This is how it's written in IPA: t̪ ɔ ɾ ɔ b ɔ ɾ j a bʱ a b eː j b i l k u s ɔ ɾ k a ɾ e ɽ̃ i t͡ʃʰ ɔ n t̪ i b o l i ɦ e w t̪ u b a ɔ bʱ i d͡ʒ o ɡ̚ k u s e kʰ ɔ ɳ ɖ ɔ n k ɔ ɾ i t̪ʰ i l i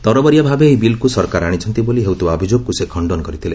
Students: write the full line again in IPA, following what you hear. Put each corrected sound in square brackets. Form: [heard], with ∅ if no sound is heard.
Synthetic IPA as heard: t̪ ɔ ɾ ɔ b ɔ ɾ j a bʱ a b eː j b i l k u s ɔ ɾ k a ɾ [a] ɽ̃ i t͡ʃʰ ɔ n t̪ i b o l i ɦ e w t̪ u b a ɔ bʱ i d͡ʒ o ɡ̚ k u s e kʰ ɔ ɳ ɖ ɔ n k ɔ ɾ i t̪ʰ i l [e]